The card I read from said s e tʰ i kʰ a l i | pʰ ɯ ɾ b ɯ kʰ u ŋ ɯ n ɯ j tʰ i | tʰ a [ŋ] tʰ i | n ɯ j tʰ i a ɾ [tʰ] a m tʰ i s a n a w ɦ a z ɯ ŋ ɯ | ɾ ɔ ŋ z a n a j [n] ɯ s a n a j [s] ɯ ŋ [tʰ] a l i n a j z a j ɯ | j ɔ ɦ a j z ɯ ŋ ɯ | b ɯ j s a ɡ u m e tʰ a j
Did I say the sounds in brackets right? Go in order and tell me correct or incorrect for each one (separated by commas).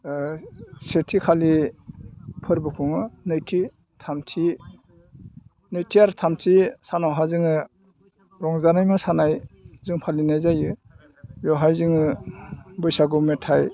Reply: incorrect, correct, incorrect, incorrect, incorrect